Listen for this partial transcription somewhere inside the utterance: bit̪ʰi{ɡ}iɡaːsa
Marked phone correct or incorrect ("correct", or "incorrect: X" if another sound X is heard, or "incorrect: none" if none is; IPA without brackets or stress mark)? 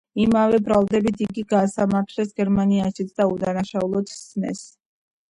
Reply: correct